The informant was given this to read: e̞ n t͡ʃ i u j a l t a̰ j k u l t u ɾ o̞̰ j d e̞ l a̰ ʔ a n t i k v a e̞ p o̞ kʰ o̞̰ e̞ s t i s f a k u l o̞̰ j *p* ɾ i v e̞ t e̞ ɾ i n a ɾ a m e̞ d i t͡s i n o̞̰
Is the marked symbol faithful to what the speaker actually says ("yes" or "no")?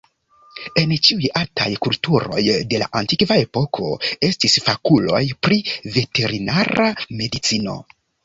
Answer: yes